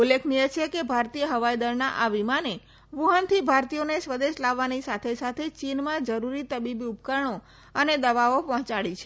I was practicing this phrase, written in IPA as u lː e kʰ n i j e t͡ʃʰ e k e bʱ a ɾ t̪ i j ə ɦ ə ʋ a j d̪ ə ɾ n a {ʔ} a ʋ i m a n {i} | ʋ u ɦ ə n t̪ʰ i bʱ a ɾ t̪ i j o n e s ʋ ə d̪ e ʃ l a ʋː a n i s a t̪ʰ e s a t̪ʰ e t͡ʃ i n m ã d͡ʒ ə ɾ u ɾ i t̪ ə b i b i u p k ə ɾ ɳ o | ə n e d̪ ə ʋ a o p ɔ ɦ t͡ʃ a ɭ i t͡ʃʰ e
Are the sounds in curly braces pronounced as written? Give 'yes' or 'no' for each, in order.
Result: yes, no

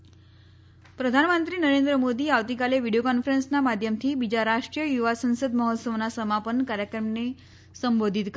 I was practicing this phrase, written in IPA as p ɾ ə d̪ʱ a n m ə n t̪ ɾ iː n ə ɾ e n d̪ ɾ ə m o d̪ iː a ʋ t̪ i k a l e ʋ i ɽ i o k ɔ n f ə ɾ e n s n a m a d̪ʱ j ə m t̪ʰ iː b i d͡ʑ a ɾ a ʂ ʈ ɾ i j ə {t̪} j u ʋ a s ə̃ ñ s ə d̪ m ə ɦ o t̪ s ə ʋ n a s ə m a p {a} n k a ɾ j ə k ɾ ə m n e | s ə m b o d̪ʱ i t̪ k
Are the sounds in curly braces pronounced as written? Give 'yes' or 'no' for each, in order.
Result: no, no

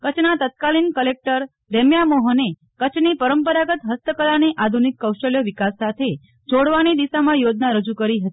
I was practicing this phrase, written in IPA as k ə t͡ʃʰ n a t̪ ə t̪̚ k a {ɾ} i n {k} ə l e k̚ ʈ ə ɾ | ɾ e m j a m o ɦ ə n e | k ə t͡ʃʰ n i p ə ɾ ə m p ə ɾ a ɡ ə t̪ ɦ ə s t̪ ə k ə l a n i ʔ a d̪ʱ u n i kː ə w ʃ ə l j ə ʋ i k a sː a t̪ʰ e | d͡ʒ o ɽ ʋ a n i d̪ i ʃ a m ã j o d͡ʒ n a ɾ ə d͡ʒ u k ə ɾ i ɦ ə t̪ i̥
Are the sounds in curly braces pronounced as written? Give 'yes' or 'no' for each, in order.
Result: no, yes

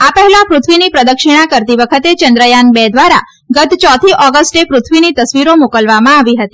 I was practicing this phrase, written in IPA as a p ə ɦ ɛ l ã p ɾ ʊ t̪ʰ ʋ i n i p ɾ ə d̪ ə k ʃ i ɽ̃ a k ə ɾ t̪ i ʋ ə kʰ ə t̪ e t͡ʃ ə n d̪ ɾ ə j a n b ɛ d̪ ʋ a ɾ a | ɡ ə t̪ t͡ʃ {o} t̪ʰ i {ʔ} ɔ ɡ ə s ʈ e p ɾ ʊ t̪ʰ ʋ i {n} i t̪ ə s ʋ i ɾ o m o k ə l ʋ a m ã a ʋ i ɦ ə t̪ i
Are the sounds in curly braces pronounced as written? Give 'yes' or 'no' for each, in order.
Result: no, yes, yes

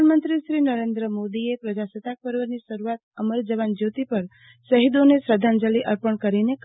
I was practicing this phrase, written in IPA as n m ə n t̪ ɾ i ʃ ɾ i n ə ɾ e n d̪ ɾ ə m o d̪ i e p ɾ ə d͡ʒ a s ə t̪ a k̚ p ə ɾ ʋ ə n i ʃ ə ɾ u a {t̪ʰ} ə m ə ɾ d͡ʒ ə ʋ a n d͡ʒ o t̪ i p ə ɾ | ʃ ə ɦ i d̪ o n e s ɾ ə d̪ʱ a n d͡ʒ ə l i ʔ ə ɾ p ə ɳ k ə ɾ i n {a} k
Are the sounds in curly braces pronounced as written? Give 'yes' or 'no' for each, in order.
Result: no, no

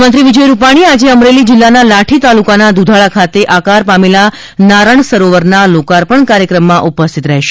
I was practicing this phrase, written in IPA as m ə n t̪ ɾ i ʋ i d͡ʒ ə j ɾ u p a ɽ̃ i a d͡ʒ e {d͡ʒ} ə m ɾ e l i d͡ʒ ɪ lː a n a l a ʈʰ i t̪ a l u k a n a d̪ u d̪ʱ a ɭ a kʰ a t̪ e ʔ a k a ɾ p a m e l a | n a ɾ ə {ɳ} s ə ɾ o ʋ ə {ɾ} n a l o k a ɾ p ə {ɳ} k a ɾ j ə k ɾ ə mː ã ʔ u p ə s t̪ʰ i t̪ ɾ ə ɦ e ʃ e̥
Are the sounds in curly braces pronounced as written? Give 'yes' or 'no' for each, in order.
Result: no, yes, yes, yes

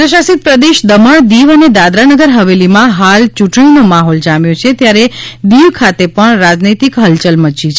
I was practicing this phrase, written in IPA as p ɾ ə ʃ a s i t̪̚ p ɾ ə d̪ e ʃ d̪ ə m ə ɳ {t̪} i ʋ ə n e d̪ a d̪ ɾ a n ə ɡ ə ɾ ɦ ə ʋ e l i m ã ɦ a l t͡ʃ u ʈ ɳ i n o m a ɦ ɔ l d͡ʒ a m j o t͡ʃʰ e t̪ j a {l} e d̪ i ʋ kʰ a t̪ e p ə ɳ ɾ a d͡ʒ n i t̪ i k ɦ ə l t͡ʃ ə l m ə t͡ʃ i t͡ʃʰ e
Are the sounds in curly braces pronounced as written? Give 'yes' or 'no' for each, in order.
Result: no, no

